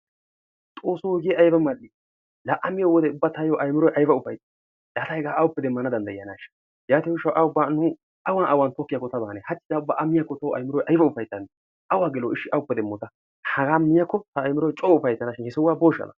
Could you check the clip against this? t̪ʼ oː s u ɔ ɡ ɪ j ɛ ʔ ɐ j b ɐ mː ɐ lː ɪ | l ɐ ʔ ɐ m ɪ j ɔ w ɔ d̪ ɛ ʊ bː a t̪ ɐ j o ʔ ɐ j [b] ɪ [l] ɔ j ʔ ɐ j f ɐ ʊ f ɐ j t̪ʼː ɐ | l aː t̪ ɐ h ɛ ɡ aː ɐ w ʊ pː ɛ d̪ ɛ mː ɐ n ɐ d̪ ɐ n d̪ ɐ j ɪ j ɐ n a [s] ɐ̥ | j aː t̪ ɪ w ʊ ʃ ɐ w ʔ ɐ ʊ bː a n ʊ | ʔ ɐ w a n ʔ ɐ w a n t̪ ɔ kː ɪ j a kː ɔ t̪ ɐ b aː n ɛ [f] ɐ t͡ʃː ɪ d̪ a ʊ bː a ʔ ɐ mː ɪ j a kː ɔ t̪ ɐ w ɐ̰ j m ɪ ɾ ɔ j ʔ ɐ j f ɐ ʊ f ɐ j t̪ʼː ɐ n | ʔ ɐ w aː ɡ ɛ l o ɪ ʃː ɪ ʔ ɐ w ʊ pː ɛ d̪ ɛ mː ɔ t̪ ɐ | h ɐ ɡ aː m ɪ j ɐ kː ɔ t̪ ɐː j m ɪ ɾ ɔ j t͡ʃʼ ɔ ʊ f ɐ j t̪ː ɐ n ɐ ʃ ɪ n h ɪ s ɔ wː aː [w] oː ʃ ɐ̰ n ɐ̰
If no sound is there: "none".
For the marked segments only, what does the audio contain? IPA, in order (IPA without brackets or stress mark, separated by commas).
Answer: m, ɾ, ʃ, h, b